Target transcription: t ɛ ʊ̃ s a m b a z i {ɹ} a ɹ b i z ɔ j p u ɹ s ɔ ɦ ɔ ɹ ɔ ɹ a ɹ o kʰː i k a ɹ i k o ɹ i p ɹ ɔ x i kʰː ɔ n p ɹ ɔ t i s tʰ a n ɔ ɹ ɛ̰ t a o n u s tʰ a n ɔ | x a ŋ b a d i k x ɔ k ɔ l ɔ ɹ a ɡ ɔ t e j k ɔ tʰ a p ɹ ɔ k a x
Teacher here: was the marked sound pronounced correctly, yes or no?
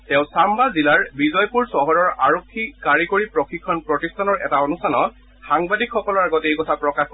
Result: no